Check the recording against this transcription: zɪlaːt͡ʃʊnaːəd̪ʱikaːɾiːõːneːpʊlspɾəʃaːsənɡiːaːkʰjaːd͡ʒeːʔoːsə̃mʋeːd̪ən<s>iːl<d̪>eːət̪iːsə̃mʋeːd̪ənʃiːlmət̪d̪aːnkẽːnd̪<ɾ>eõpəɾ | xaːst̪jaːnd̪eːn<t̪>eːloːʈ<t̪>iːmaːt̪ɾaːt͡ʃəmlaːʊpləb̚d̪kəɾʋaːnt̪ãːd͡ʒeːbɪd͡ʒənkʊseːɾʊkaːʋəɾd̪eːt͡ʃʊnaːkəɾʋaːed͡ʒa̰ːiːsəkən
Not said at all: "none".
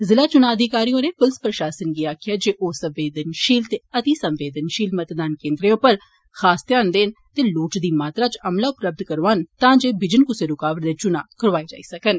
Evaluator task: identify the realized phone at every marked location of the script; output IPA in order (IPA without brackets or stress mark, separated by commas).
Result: ʃ, t̪, ɾ, t̪, d̪